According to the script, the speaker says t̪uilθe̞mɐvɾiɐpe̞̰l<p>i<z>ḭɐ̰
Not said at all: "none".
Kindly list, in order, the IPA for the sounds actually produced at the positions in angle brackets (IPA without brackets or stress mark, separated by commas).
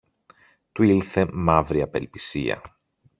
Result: p, s